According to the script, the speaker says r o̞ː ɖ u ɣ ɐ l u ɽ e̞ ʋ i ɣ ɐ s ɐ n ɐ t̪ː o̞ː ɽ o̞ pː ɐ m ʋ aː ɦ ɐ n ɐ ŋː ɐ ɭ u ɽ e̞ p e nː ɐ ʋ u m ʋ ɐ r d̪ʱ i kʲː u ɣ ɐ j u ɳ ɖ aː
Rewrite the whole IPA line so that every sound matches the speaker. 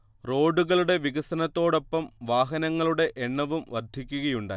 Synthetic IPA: r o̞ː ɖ u ɣ ɐ ɭ u ɽ e̞ ʋ i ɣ ɐ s ɐ n ɐ t̪ː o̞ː ɽ o̞ pː ɐ m ʋ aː ɦ ɐ n ɐ ŋː ɐ ɭ u ɽ e̞ ʔ e ɳː ɐ ʋ u m ʋ ɐ r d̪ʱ i kʲː u ɣ ɐ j u ɳ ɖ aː